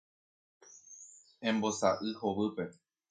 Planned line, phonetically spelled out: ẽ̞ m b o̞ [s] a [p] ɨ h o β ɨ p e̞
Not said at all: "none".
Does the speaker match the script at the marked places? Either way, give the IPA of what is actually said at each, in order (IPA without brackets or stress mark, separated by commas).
s, ʔ